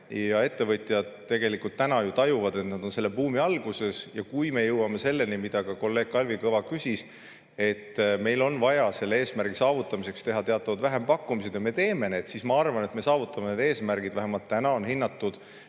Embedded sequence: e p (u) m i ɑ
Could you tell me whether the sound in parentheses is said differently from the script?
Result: yes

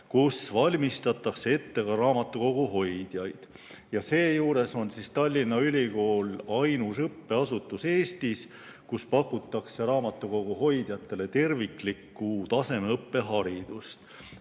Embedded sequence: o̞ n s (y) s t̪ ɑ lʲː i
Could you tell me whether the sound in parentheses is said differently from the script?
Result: yes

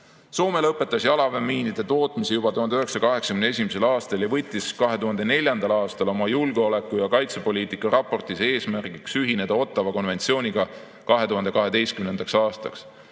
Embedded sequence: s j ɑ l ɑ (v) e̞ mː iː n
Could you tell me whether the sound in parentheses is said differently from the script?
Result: no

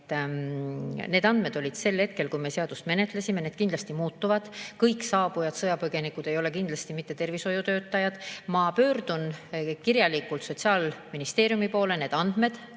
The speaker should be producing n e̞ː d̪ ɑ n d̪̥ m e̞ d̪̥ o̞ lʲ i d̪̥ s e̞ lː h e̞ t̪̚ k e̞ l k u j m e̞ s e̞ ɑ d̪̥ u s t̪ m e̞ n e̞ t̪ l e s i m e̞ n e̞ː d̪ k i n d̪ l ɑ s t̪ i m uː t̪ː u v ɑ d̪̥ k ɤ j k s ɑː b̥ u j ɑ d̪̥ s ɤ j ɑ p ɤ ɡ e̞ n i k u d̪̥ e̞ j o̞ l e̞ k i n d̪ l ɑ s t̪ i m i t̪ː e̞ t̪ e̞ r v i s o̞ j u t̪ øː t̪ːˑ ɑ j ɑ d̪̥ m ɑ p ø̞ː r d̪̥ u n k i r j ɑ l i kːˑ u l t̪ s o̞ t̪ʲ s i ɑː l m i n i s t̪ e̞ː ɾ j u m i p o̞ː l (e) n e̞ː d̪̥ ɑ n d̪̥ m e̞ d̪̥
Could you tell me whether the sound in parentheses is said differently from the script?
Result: no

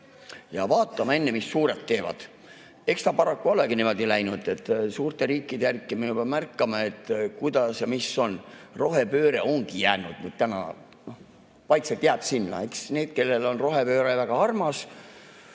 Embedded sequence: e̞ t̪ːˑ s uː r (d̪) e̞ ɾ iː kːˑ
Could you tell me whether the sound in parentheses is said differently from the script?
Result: yes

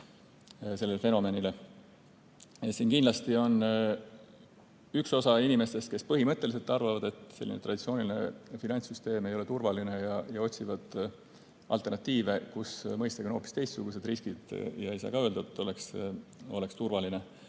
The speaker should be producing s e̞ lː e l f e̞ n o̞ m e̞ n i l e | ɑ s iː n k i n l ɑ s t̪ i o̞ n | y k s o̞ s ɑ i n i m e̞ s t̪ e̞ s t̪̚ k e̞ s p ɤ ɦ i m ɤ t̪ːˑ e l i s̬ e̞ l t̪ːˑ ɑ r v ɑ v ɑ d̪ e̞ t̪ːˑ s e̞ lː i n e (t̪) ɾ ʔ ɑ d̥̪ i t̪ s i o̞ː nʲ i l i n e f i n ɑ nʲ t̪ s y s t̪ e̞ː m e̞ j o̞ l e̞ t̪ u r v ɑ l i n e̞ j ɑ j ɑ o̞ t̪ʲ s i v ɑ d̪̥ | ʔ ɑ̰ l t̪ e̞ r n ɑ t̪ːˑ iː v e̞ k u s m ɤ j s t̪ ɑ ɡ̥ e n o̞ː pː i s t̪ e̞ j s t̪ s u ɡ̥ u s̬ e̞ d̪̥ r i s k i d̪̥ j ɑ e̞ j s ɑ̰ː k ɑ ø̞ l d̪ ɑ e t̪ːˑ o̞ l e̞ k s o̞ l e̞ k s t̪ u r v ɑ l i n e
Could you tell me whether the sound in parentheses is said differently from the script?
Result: no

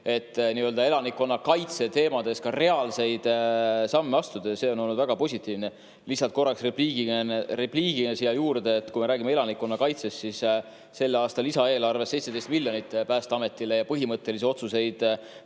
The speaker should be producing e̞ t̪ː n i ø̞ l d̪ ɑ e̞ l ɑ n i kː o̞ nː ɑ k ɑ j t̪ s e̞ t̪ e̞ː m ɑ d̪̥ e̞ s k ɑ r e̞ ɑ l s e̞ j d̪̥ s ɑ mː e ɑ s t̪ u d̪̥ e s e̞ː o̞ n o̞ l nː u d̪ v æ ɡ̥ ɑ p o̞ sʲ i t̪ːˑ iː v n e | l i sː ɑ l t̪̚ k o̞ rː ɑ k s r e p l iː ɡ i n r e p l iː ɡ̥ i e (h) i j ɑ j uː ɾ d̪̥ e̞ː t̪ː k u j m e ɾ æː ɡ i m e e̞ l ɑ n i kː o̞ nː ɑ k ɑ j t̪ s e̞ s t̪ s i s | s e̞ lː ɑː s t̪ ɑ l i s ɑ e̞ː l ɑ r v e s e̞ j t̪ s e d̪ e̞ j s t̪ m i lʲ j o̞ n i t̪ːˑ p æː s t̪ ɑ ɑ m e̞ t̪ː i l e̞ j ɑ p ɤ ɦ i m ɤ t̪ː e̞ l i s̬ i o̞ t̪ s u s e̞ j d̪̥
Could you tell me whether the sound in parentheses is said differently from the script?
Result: yes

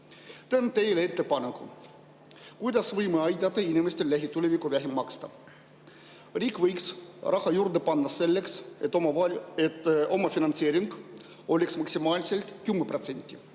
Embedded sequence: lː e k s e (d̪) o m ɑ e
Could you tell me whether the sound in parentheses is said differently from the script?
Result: yes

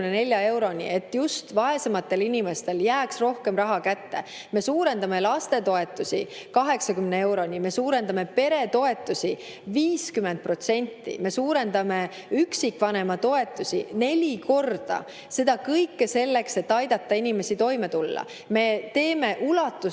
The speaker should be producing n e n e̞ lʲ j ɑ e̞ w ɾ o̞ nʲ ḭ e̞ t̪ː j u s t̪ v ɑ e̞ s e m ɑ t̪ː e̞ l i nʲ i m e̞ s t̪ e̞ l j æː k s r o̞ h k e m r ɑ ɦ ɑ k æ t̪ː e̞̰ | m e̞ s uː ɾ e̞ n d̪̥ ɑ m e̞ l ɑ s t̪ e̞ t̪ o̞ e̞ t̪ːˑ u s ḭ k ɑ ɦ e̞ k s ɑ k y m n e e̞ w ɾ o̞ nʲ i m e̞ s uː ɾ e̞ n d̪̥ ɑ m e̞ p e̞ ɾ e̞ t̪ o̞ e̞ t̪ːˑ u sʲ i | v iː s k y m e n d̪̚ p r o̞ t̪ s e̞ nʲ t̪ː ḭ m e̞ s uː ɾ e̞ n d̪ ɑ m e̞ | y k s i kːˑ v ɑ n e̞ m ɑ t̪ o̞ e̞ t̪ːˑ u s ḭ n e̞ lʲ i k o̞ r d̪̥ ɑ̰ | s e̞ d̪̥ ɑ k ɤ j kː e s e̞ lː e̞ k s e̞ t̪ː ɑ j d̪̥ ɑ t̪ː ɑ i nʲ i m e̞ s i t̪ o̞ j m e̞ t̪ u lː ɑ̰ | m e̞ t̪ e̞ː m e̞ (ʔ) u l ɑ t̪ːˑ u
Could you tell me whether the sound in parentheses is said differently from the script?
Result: no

